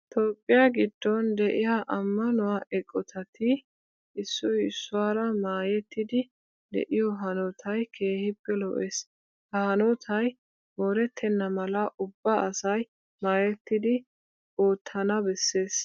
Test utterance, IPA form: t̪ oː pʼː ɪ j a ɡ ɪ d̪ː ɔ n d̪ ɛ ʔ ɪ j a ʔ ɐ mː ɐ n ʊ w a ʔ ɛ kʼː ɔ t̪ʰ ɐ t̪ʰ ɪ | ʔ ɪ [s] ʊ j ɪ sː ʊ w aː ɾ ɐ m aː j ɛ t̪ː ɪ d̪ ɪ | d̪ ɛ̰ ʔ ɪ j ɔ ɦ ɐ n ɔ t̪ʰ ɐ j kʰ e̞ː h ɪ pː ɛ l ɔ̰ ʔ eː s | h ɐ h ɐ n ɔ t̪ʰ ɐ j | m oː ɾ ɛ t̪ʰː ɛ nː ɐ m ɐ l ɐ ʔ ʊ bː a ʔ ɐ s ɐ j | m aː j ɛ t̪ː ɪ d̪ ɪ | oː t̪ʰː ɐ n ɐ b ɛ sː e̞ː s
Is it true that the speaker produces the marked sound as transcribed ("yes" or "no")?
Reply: no